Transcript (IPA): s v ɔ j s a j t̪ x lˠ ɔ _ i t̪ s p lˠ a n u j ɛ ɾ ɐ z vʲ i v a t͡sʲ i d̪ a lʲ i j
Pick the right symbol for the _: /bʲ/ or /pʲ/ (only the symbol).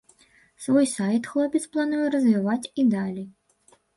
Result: pʲ